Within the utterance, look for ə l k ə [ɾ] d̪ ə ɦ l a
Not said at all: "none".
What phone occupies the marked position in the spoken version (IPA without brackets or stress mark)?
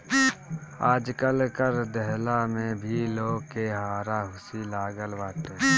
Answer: ɾ